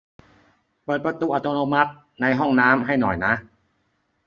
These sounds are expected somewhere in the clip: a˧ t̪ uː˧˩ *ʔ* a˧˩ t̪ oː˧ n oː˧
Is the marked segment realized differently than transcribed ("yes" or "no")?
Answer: no